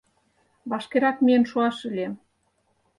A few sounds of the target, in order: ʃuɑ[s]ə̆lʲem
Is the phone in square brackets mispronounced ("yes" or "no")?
yes